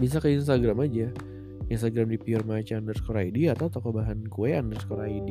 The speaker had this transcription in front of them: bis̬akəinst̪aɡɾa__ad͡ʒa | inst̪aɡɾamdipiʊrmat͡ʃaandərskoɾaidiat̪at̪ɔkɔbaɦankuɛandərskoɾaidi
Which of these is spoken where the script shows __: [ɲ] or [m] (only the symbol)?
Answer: m